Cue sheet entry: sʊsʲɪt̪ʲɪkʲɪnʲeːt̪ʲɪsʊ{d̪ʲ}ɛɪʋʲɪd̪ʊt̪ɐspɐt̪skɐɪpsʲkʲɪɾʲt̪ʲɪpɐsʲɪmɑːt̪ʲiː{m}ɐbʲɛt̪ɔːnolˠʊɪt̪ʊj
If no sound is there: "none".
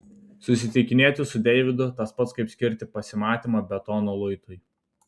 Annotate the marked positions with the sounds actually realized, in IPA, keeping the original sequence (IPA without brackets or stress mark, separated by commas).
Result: d̪ʲ, m